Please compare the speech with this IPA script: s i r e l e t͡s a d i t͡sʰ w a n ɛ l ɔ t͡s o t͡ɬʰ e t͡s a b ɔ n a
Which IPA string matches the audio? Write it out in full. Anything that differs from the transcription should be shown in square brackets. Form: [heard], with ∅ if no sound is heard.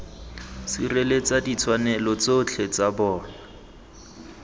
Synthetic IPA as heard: s i r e l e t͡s a d i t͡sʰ w a n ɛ l ɔ t͡s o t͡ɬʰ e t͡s a b [ɔː] n a